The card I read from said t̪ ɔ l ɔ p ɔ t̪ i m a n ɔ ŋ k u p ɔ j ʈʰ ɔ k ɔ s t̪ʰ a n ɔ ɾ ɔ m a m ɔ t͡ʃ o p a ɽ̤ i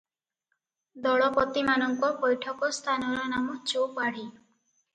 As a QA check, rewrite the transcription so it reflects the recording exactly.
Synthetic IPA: d̪ ɔ ɭ ɔ p ɔ t̪ i m a n ɔ ŋ k ɔ p ɔ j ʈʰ ɔ k ɔ s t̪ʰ a n ɔ ɾ ɔ n a m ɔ t͡ʃ o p a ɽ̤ i